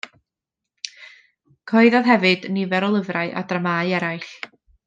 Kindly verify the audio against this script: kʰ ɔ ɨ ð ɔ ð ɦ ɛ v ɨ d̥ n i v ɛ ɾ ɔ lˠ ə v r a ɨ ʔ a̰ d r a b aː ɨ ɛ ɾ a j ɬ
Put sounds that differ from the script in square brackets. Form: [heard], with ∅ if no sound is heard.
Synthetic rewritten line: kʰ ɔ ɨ ð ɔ ð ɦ ɛ v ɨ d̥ n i v ɛ ɾ ɔ lˠ ə v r a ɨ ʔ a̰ d r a [m] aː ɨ ɛ ɾ a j ɬ